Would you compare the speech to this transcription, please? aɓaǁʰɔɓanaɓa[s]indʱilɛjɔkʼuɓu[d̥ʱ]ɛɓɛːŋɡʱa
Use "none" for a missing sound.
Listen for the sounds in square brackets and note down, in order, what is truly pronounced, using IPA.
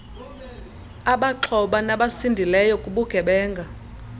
s, ɡ̥ʱ

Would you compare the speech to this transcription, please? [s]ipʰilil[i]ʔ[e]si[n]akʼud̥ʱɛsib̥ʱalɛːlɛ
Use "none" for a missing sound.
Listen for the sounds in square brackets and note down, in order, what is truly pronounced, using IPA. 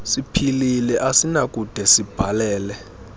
s, ɛ, a, n

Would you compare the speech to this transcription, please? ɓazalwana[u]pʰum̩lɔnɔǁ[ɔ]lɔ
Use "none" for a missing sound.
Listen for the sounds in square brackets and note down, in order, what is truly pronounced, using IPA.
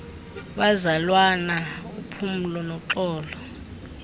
u, ɔː

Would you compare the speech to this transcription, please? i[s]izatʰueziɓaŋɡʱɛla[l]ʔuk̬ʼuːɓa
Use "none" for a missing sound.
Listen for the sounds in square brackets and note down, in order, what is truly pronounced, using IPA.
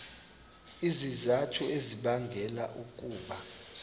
z, none

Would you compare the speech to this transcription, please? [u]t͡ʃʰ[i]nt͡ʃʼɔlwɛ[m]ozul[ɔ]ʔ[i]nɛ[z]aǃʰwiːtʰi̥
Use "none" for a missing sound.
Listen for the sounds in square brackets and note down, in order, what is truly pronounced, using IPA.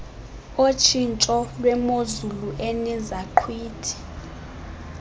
o, i, m, u, ɛ, z

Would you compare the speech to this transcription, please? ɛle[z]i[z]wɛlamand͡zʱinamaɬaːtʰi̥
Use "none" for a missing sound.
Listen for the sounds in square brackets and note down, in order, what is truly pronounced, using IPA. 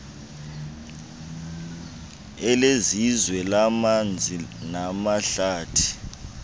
z, z

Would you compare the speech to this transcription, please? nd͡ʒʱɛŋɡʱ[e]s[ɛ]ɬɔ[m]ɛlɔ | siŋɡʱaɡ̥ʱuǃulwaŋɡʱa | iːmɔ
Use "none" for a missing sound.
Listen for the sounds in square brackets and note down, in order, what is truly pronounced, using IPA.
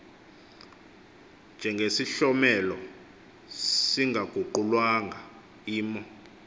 e, i, m

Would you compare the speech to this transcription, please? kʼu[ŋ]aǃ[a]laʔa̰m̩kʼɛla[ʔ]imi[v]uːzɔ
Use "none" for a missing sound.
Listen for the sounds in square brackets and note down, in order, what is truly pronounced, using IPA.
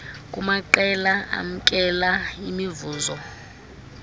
m, ɛ, none, v

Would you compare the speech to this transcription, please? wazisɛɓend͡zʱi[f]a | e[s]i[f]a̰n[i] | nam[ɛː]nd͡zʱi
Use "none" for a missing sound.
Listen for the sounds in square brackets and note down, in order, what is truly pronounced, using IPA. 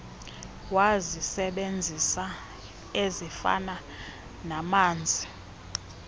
s, z, f, a, aː

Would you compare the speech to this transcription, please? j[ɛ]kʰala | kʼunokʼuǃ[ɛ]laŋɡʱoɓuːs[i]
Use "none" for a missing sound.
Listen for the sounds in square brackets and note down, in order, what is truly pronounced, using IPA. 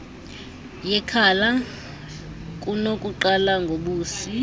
ɛ, a, i

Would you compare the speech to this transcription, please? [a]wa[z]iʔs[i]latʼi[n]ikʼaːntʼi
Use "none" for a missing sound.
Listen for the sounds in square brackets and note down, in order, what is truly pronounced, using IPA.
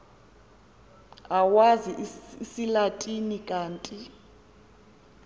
a, z, i, n

